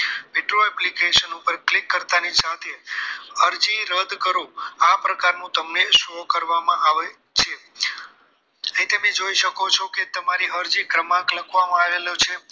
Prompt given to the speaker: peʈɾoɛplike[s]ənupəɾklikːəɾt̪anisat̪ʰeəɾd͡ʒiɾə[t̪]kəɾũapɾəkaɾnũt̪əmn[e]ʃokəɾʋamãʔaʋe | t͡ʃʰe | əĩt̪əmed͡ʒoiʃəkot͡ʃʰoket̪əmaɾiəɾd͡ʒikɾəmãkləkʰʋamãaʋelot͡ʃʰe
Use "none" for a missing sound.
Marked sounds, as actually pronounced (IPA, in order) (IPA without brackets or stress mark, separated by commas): ʃ, d̪, e